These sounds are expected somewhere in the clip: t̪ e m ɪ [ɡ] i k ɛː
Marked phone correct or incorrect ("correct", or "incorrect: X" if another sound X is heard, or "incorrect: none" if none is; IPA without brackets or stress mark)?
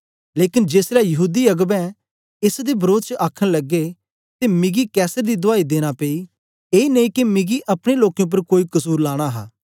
correct